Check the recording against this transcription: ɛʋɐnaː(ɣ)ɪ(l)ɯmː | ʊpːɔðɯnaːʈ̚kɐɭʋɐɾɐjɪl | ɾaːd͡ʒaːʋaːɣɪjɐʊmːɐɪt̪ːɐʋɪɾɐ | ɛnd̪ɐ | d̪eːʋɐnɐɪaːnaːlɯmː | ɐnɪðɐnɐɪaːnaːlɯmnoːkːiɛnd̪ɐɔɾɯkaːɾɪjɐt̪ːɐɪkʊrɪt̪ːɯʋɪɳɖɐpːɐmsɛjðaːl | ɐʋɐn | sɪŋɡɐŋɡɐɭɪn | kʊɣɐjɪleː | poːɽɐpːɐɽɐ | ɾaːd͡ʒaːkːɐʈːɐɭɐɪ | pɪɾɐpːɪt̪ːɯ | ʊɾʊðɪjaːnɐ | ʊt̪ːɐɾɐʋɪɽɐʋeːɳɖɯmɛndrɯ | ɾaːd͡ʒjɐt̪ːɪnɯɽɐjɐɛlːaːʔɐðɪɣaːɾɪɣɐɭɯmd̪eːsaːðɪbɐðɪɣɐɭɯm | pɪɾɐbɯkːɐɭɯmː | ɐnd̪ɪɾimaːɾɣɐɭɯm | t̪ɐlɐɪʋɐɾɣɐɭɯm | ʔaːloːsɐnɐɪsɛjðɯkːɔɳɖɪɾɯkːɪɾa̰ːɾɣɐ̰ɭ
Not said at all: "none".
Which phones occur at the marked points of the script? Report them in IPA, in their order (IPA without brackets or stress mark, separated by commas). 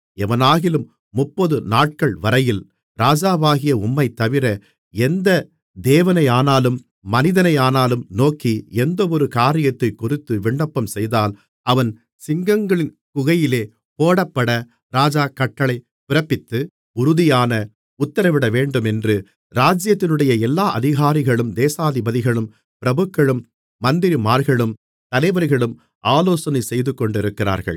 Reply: ɣ, l